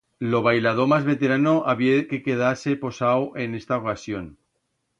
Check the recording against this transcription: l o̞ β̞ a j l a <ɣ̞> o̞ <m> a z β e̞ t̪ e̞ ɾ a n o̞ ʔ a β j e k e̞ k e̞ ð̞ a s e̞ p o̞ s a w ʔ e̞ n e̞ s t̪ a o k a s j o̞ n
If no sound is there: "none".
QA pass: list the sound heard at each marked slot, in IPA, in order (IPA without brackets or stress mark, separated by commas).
ð̞, m